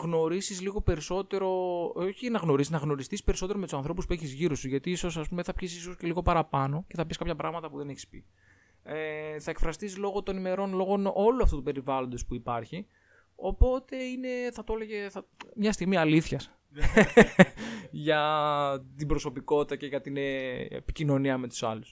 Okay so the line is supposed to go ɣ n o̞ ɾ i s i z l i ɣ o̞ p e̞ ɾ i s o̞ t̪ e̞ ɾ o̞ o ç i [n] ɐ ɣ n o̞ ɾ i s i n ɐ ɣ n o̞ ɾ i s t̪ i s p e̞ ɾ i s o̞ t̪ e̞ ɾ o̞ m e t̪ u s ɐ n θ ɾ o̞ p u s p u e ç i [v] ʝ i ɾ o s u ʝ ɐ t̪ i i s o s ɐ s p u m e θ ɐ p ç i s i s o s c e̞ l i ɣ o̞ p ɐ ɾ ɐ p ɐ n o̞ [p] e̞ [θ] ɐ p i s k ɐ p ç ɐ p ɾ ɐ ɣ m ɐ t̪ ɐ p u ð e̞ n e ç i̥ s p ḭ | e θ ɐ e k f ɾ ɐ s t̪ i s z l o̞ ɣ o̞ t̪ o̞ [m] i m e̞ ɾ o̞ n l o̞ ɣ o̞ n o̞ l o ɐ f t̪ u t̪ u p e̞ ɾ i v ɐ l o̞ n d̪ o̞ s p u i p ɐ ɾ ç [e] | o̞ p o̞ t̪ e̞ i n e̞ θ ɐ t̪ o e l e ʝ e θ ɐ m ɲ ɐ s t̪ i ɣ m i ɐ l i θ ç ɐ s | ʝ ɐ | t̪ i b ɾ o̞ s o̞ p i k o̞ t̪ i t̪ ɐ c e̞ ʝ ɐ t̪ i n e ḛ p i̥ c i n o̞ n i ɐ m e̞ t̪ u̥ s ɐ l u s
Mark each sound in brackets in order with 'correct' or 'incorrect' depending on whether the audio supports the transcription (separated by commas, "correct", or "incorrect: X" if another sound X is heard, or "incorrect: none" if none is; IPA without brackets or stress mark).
correct, incorrect: z, incorrect: c, correct, incorrect: n, incorrect: i